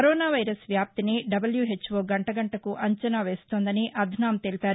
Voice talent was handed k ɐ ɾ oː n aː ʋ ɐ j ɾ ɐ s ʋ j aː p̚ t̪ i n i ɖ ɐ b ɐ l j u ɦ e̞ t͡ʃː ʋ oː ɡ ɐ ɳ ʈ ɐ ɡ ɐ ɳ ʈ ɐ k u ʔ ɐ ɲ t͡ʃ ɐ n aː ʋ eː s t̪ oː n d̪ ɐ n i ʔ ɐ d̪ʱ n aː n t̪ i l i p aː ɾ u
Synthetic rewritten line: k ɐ ɾ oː n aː ʋ ɐ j ɾ ɐ s ʋ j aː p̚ t̪ i n i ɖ ɐ b ɐ l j u ɦ e̞ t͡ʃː ʋ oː ɡ ɐ ɳ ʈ ɐ ɡ ɐ ɳ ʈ ɐ k u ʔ ɐ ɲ t͡ʃ ɐ n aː ʋ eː s t̪ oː n d̪ ɐ n i ʔ ɐ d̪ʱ n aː m t̪ e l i p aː ɾ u